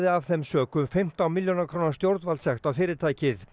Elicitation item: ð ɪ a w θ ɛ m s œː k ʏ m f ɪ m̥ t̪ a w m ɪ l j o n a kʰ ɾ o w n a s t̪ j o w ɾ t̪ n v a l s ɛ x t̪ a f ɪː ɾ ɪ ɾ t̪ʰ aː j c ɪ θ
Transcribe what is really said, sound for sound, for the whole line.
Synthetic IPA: ð ɪ a v θ ɛ m s œː k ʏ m f ɪ m̥ t̪ a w m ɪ l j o n a kʰ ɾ o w n a s t̪ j o w ɾ t̪ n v a l s ɛ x t̪ a f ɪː ɾ ɪ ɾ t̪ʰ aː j c ɪ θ